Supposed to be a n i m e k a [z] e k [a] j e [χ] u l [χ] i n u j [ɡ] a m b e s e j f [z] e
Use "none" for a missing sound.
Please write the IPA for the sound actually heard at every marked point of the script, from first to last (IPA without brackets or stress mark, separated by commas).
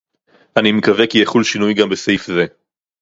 v, i, χ, ʃ, ɡ, z